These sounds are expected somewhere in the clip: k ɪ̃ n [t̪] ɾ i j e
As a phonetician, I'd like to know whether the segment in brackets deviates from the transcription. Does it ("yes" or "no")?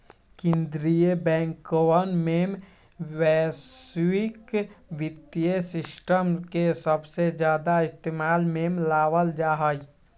yes